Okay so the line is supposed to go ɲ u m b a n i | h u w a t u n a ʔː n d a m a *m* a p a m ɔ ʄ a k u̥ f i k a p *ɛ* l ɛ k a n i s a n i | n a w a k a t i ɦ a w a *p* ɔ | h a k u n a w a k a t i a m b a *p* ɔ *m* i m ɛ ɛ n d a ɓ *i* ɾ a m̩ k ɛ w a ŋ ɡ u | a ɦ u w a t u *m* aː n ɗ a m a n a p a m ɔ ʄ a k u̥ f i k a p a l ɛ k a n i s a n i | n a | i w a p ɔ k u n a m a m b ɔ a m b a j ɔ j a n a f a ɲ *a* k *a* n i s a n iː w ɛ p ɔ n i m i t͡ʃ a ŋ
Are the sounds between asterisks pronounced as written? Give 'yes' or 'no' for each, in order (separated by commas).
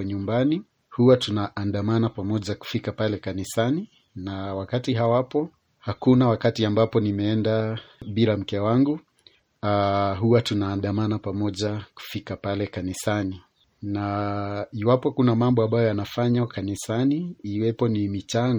no, no, yes, yes, no, yes, no, yes, yes